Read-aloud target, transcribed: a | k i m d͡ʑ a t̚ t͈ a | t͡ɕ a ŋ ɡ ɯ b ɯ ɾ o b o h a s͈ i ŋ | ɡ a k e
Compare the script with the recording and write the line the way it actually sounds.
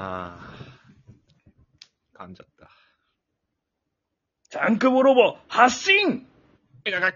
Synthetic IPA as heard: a | k a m d͡ʑ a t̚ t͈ a | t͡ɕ a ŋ k ɯ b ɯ ɾ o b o h a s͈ i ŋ | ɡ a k a